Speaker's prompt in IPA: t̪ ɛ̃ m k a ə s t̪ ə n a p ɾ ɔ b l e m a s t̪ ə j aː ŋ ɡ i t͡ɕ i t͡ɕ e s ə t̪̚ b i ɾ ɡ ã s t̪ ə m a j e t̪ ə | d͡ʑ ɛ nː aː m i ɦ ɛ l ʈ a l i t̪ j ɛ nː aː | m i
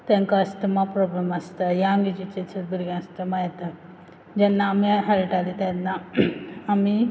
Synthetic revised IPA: t̪ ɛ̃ ŋ k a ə s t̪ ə m a p ɾ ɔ b l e m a s t̪ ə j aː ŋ ɡ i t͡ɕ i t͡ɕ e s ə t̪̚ b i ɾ ɡ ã s t̪ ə m a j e t̪ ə | d͡ʑ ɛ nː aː m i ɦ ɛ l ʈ a l i t̪ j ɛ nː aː | m i

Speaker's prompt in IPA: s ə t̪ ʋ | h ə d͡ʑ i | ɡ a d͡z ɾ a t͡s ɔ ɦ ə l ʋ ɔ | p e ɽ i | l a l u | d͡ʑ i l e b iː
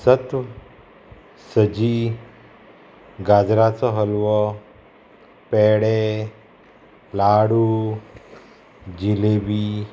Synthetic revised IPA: s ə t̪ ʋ | s ə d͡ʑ i | ɡ a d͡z ɾ a t͡s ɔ ɦ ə l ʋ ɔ | p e ɽ e | l a ɽ u | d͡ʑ i l e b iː

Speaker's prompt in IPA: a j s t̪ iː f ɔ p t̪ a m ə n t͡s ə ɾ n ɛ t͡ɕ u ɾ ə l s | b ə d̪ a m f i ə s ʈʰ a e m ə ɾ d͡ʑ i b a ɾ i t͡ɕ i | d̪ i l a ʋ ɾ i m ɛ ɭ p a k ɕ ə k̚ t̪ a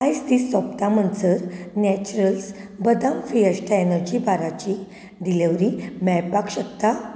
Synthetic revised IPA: a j s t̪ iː s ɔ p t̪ a m ə n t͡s ə ɾ n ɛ t͡ɕ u ɾ ə l s | b ə d̪ a m f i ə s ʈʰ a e n ə ɾ d͡ʑ i b a ɾ a t͡ɕ i | d̪ i l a ʋ ɾ i m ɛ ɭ p a k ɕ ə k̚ t̪ a

